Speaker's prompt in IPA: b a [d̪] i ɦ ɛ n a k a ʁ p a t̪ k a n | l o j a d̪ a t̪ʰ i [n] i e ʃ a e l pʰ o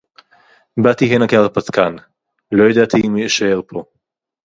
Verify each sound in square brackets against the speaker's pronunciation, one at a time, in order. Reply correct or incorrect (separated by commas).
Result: incorrect, incorrect